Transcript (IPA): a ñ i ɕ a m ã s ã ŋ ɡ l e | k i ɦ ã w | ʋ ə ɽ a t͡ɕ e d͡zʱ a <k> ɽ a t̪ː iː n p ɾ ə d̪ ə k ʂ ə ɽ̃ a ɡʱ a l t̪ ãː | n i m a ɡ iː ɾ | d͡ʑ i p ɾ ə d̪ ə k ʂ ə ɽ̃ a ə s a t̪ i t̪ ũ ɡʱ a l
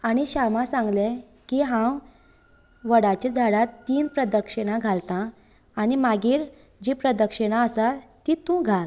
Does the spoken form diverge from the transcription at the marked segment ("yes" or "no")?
yes